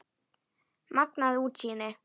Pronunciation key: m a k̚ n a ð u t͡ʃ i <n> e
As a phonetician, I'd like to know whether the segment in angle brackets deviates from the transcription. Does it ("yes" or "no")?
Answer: no